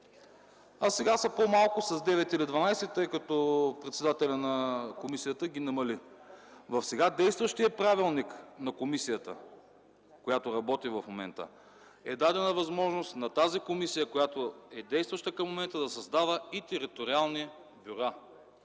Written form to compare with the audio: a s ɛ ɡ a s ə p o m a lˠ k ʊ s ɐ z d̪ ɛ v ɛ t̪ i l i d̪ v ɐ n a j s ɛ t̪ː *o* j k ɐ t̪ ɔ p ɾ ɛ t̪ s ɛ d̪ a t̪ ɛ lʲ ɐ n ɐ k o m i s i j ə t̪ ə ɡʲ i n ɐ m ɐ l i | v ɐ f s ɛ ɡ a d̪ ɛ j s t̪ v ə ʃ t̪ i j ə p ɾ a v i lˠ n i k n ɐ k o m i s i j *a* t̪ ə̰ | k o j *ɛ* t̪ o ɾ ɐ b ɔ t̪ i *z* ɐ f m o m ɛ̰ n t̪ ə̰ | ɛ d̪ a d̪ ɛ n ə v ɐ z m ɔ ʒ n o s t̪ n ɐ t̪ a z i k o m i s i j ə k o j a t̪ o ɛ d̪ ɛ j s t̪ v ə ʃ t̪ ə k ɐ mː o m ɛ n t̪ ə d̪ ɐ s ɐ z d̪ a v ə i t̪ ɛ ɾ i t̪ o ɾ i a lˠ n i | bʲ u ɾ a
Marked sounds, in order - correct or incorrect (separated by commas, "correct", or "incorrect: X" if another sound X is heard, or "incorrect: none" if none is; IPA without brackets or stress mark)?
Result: incorrect: ɤ, incorrect: ə, incorrect: a, incorrect: v